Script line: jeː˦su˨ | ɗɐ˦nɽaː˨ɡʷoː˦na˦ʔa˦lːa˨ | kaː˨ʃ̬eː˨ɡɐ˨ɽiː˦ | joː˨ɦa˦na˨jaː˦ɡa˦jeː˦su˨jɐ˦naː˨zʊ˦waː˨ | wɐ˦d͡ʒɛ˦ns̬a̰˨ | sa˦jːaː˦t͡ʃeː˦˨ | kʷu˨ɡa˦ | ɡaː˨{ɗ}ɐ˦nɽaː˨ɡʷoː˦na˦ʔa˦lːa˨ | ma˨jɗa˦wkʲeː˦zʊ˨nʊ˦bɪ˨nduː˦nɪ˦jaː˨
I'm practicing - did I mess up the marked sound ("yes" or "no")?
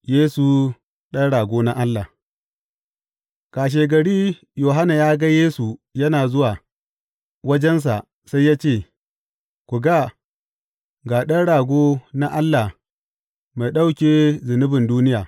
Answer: no